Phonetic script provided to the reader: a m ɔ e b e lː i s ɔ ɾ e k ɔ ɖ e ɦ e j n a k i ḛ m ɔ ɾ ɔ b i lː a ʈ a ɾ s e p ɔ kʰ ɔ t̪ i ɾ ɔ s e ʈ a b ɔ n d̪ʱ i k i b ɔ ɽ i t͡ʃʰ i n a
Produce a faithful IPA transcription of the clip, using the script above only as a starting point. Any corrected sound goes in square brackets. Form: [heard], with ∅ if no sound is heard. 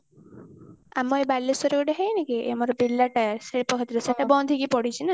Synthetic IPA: a m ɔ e b [a] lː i s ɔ ɾ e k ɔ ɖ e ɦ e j n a k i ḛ m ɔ ɾ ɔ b i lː a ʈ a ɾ s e p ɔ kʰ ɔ t̪ i ɾ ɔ s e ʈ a b ɔ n d̪ʱ i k i [p] ɔ ɽ i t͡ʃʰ i n a

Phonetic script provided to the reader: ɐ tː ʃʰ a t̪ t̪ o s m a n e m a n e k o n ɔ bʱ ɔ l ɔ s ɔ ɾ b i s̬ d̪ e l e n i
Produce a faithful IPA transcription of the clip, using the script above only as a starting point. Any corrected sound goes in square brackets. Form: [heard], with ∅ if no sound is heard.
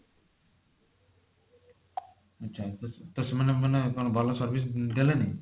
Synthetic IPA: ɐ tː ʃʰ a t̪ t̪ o s m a n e m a n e k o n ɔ bʱ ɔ l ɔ s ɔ ɾ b i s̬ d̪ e l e n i

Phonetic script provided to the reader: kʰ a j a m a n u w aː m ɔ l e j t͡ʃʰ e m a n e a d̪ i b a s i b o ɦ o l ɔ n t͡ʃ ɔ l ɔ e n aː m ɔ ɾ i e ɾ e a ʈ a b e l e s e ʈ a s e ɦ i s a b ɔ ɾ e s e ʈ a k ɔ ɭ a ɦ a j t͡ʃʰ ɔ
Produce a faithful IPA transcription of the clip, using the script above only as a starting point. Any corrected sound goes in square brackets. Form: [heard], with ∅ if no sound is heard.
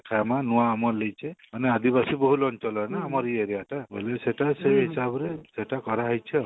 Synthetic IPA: kʰ a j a m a n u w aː m ɔ l e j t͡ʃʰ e m a n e a d̪ i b a s i b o ɦ [u] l ɔ n t͡ʃ ɔ l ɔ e n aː m ɔ ɾ i e ɾ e a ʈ a b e l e s e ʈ a s e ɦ i s a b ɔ ɾ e s e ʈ a k ɔ [ɾ] a ɦ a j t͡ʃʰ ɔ

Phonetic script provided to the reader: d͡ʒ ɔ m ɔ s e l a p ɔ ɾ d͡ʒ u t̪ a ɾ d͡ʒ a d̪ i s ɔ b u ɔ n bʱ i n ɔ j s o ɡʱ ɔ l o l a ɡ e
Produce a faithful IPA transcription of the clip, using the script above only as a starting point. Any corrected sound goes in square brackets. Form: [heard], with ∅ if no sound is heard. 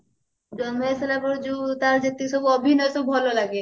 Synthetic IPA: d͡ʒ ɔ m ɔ s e l a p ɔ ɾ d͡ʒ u t̪ a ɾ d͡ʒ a [t̪] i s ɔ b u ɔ [∅] bʱ i n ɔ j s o [bʱ] ɔ l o l a ɡ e

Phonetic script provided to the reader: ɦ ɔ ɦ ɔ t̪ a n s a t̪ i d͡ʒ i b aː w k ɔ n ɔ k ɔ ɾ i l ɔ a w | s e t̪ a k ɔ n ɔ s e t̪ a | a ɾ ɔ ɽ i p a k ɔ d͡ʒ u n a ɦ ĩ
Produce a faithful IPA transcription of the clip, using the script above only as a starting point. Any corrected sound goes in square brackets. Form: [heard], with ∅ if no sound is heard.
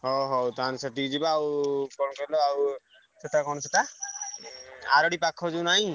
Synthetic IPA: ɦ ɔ ɦ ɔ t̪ a n s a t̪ i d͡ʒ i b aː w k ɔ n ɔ k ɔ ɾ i l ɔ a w | s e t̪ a k ɔ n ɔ s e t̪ a | a ɾ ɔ ɽ i p a [kʰ] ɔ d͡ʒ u n a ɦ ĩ

